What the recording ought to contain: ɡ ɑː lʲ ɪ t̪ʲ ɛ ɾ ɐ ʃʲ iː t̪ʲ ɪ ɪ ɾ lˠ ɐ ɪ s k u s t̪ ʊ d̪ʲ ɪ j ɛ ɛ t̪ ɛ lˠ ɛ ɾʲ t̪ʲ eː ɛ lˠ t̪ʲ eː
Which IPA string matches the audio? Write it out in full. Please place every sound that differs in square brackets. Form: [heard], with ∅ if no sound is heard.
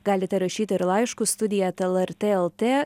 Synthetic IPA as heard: ɡ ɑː lʲ ɪ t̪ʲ ɛ ɾ ɐ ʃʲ iː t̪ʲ ɪ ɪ ɾ lˠ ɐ ɪ [ʃ] k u s t̪ ʊ d̪ʲ ɪ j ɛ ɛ t̪ ɛ lˠ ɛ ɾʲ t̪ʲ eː ɛ lˠ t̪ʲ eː